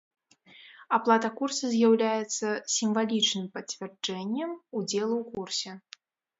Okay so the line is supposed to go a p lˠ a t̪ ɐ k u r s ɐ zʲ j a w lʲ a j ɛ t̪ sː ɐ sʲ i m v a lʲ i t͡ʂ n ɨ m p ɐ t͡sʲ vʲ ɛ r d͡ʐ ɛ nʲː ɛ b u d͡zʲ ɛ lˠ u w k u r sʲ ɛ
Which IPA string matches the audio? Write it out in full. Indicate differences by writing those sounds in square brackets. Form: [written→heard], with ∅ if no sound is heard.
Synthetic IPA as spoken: a p lˠ a t̪ ɐ k u r s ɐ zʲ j a w lʲ a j ɛ t̪ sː ɐ sʲ i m v a lʲ i t͡ʂ n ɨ m p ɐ t͡sʲ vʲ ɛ r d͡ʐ ɛ nʲː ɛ [b→m] u d͡zʲ ɛ lˠ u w k u r sʲ ɛ